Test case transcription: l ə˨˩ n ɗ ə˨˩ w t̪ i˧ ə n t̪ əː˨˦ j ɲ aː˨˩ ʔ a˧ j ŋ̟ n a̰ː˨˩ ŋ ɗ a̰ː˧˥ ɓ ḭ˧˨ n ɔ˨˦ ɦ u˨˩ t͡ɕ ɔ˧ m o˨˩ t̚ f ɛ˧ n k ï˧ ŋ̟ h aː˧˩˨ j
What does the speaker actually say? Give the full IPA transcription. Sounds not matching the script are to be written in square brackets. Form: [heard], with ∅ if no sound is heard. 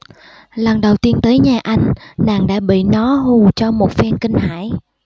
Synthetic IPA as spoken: l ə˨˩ n ɗ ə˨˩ w t̪ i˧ ə n t̪ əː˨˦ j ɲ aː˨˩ ʔ a˧ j ŋ̟ n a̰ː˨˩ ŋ ɗ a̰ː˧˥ ɓ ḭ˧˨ n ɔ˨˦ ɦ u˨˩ t͡ɕ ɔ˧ m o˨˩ t̚ f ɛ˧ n k ï˧ ŋ̟ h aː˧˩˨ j